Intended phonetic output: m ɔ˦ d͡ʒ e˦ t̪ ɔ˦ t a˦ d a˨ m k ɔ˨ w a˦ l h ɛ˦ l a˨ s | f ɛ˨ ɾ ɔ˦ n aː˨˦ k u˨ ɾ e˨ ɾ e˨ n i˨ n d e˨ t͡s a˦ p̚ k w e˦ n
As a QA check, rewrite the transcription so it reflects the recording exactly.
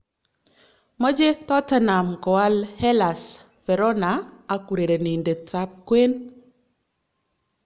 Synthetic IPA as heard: m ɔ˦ d͡ʒ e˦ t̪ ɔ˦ t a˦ n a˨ m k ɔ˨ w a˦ l h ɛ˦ l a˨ s | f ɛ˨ ɾ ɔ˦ n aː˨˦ k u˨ ɾ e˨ ɾ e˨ n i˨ n d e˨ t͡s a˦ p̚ k w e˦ n